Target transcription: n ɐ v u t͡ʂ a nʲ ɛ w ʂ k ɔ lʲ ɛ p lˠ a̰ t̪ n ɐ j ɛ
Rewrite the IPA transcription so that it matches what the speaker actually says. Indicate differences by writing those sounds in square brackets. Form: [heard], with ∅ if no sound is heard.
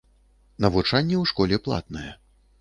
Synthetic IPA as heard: n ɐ v u t͡ʂ a [nʲː] ɛ w ʂ k ɔ lʲ ɛ p lˠ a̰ t̪ n ɐ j ɛ